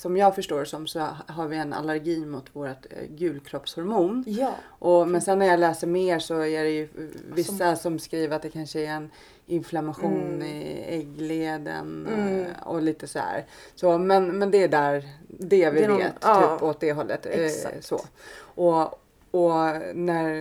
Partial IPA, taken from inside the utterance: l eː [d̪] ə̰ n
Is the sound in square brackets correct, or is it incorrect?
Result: correct